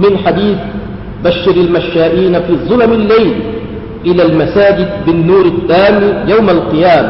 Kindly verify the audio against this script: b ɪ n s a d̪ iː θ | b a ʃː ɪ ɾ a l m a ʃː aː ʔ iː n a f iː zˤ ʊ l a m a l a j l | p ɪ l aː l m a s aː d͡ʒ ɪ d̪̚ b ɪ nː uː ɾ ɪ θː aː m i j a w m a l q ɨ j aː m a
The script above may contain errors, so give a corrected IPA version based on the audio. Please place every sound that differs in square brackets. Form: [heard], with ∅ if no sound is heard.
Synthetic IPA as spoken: [m] ɪ n [ħ] a d̪ iː θ | b a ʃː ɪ ɾ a l m a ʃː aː ʔ iː n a f iː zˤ ʊ l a m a [lː] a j l | [ʔ] ɪ l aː l m a s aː d͡ʒ ɪ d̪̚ b ɪ nː uː ɾ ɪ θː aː m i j a w m a l q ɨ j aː m a